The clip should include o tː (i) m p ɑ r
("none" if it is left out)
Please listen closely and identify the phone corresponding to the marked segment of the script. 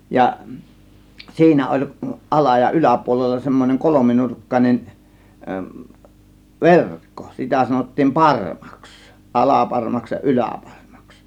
iː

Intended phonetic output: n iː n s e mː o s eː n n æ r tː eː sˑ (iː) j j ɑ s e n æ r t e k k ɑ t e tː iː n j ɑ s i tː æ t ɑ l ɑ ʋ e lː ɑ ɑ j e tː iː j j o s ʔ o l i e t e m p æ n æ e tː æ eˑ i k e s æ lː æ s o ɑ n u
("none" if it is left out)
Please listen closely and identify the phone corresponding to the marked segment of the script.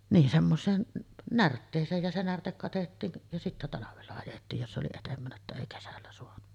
eː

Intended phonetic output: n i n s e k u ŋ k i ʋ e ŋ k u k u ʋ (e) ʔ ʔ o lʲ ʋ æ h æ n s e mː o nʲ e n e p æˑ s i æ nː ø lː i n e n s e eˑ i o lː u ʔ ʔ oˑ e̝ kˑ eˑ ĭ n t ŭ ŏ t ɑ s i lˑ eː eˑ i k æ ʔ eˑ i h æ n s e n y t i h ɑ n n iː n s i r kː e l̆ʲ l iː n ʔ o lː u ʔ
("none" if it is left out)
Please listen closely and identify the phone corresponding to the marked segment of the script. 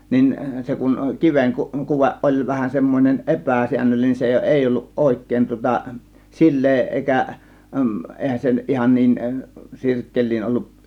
e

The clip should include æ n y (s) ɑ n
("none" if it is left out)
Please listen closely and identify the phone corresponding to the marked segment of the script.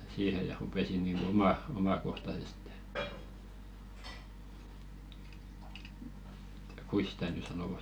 s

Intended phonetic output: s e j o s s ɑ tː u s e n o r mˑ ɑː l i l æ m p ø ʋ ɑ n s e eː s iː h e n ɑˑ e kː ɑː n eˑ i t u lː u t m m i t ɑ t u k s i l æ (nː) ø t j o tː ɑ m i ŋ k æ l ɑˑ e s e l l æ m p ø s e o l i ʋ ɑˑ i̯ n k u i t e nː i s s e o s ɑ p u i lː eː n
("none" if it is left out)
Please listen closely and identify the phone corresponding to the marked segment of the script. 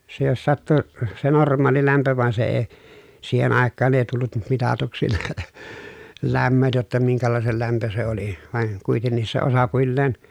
mː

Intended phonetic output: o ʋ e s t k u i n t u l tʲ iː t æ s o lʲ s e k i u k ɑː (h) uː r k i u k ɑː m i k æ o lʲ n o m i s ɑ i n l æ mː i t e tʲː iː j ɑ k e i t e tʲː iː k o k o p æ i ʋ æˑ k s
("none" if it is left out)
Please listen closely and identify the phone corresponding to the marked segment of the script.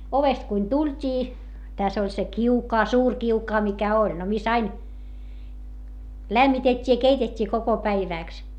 s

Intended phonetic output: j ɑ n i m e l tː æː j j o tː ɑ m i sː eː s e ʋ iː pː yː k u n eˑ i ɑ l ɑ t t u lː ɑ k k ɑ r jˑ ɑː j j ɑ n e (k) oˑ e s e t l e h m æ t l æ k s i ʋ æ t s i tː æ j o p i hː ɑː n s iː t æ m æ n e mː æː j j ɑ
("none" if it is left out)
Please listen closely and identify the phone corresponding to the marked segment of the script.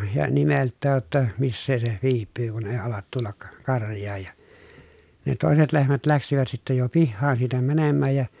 t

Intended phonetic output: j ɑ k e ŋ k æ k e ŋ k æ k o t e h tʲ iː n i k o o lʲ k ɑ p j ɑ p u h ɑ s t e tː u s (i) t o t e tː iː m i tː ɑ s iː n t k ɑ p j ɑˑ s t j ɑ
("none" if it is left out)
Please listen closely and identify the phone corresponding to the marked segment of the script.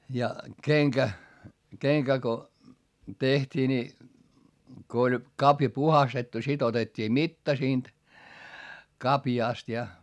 i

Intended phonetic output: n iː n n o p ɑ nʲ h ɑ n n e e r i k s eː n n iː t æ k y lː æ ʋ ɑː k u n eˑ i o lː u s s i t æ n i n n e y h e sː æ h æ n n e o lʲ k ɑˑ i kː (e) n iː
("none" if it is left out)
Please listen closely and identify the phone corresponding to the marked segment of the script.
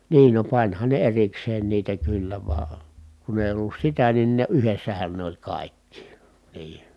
i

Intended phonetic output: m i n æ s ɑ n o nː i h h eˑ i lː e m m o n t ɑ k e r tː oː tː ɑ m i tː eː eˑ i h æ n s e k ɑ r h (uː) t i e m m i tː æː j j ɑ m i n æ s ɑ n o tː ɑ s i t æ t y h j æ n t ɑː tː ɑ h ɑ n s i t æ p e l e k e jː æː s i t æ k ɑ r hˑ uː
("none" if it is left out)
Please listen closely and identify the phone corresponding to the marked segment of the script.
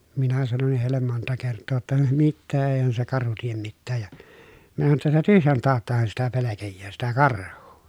u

